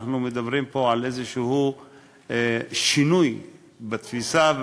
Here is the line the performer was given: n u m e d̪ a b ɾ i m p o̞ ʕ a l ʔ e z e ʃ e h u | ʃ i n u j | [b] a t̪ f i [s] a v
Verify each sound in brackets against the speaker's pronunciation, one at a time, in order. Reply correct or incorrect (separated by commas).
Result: correct, correct